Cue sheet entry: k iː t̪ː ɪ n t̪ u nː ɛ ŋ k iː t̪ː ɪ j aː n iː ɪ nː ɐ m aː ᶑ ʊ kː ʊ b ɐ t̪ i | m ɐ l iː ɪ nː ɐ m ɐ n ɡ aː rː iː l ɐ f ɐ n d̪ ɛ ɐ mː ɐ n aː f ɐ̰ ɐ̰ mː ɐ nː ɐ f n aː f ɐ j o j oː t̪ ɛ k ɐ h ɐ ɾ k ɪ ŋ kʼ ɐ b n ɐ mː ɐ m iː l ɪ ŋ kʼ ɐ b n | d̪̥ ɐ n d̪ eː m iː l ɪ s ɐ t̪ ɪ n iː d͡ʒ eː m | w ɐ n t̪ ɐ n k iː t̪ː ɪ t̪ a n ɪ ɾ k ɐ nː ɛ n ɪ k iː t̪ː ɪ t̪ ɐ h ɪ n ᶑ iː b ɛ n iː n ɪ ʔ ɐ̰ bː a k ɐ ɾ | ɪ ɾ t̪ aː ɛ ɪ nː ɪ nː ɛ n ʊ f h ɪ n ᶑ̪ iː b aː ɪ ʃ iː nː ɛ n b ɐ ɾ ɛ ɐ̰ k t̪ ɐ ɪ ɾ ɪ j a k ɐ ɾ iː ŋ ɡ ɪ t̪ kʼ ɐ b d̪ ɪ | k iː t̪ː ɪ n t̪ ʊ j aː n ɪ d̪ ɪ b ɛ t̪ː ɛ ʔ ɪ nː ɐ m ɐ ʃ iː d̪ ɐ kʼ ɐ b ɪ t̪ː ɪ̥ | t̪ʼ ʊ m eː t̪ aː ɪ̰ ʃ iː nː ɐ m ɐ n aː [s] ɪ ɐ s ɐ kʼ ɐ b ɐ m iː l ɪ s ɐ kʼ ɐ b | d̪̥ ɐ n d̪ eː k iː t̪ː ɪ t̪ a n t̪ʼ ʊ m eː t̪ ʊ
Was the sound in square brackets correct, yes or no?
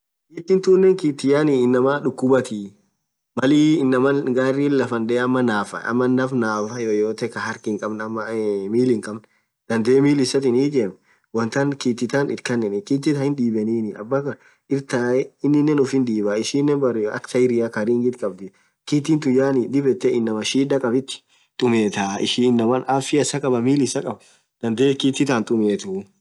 no